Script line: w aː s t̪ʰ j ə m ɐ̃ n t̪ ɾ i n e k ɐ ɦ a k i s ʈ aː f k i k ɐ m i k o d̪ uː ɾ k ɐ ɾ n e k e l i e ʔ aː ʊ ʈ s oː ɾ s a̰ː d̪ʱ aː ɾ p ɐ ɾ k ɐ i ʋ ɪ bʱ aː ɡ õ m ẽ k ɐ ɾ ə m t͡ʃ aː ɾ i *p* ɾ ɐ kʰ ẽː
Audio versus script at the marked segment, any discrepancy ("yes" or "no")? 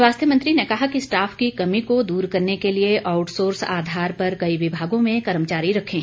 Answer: yes